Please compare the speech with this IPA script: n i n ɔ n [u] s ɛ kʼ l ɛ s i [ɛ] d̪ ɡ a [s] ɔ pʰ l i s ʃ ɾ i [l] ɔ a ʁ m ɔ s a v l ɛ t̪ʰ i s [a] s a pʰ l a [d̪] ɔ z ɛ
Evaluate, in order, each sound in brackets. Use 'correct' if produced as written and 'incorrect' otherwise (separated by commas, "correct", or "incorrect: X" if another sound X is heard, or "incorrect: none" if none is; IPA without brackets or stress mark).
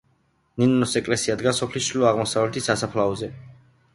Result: incorrect: ɔ, incorrect: a, correct, correct, correct, incorrect: none